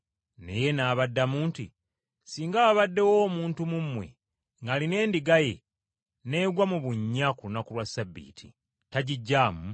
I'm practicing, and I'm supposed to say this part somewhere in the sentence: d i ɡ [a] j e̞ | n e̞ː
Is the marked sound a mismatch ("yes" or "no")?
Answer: no